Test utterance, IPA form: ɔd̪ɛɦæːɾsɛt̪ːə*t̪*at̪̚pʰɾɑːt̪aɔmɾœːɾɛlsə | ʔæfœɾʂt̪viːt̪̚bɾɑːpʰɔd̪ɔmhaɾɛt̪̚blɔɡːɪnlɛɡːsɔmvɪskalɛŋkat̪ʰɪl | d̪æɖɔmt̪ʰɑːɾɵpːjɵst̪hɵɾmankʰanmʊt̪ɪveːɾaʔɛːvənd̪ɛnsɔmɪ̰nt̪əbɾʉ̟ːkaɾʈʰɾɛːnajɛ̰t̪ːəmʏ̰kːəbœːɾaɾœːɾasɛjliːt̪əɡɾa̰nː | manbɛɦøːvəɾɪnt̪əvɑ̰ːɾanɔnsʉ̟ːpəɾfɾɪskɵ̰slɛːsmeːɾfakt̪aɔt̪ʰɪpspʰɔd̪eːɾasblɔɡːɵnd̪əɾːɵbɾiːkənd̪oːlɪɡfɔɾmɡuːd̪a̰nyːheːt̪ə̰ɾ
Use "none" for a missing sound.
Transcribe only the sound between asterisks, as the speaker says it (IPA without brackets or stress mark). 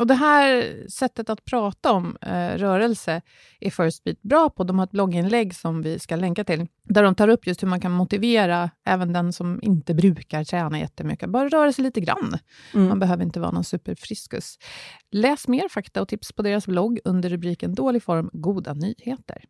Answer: t̪